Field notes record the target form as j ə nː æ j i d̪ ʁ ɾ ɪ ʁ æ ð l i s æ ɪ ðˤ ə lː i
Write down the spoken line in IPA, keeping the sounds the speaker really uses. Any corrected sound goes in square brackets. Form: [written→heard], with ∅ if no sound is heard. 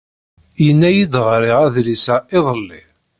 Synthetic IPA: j ə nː æ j i d̪ ʁ ɾ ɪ ʁ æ ð l i s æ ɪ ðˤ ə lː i